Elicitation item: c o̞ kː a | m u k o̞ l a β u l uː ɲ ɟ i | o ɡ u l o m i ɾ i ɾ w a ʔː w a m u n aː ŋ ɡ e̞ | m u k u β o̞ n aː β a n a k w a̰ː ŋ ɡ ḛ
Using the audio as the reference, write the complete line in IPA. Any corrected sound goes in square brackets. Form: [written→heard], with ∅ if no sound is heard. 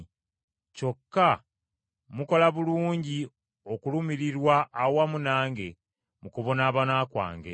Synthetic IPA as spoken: c o̞ kː a | m u k o̞ l a β u l uː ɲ ɟ i | o [ɡ→k] u l [o→u] m i ɾ i ɾ w a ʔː w a m u n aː ŋ ɡ e̞ | m u k u β o̞ n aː β a n a k w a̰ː ŋ ɡ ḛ